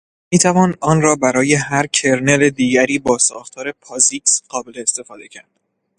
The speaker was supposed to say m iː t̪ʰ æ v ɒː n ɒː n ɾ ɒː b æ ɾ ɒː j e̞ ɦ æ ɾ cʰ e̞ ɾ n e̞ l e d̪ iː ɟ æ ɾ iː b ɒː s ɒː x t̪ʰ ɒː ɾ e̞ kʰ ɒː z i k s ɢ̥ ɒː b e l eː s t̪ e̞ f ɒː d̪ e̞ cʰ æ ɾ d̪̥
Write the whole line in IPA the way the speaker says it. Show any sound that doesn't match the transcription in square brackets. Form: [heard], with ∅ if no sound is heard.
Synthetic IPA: m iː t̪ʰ æ v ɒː n ɒː n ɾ ɒː b æ ɾ ɒː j e̞ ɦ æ ɾ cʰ e̞ ɾ n e̞ l e d̪ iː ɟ æ ɾ iː b ɒː s ɒː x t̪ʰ ɒː ɾ e̞ [pʰ] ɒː z i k s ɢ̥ ɒː b e l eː s t̪ e̞ f ɒː d̪ e̞ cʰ æ ɾ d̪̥